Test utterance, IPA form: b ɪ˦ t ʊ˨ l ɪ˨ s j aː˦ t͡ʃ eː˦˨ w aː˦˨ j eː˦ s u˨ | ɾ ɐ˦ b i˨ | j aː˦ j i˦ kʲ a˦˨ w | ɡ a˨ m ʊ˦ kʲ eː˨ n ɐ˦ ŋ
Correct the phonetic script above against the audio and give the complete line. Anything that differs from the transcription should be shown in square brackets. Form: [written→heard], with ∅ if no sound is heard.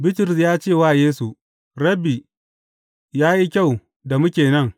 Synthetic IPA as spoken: b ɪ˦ t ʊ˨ [l→ɾ] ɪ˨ s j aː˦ t͡ʃ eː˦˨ w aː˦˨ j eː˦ s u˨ | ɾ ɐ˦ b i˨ | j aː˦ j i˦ kʲ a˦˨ w | [ɡ→d] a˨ m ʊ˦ kʲ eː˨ n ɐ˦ ŋ